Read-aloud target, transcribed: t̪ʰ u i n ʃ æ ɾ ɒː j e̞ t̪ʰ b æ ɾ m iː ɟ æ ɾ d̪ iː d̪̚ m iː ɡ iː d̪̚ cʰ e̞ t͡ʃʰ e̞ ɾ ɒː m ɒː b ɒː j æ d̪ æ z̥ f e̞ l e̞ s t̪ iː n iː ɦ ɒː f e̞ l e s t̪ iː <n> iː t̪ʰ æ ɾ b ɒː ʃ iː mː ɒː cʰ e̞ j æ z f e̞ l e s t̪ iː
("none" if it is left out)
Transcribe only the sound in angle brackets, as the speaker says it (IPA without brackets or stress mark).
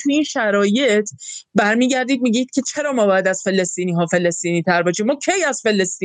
n